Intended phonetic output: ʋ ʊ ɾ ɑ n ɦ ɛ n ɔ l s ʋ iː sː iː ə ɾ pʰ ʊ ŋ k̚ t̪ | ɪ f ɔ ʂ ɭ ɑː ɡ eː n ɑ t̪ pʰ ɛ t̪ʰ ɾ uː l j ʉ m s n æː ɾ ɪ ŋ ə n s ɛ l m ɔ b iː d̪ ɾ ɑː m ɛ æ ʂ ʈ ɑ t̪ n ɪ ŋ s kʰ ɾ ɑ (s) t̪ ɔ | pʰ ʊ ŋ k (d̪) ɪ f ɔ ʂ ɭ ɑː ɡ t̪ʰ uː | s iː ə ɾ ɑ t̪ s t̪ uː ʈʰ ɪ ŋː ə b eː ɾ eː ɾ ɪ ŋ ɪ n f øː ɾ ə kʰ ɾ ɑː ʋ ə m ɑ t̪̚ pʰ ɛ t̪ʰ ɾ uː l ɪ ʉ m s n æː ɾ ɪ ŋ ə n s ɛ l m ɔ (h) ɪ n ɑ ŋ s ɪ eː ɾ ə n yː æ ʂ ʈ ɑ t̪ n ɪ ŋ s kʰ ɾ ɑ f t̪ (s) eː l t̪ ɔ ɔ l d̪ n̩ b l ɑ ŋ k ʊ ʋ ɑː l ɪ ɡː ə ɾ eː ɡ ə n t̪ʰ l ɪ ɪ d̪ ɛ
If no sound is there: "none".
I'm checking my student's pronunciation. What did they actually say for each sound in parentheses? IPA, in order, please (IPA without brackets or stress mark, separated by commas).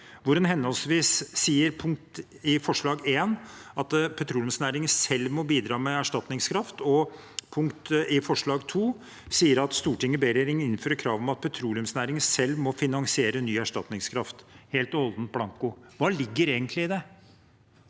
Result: f, t̪, f, h